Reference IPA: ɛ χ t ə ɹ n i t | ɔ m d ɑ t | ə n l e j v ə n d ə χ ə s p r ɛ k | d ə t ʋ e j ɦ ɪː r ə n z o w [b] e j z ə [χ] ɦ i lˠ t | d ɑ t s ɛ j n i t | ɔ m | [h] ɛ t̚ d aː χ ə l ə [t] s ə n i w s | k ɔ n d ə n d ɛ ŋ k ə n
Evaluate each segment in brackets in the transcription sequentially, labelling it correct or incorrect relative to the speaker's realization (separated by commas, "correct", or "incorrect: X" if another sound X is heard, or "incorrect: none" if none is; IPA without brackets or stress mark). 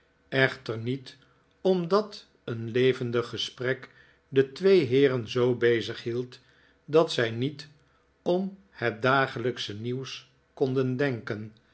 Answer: correct, correct, correct, incorrect: k